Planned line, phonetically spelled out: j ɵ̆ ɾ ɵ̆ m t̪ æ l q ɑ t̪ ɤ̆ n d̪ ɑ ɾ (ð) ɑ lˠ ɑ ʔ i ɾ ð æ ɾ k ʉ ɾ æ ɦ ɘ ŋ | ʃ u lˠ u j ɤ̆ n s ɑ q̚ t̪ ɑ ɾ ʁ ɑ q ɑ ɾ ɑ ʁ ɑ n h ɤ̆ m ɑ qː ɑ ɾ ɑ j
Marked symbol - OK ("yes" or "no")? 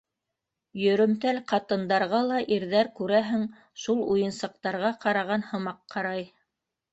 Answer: no